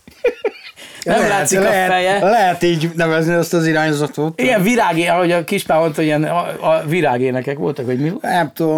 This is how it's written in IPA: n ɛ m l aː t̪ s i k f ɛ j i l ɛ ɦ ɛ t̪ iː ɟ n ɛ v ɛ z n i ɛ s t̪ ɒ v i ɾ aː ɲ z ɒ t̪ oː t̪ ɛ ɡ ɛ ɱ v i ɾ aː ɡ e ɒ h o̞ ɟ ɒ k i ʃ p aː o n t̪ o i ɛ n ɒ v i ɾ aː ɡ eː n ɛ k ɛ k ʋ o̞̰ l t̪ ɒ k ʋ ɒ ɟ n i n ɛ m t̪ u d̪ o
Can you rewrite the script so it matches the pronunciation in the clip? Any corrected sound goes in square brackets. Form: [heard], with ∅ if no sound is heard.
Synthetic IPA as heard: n ɛ m l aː t̪ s i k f ɛ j [ɛ] l ɛ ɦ ɛ t̪ iː ɟ n ɛ v ɛ z n i ɛ s t̪ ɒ [z] i ɾ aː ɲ z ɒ t̪ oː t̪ [i] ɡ ɛ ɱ v i ɾ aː ɡ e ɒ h o̞ ɟ ɒ k i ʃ p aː o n t̪ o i ɛ n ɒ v i ɾ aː ɡ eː n ɛ k ɛ k ʋ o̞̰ l t̪ ɒ k ʋ ɒ ɟ [m] i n ɛ m t̪ u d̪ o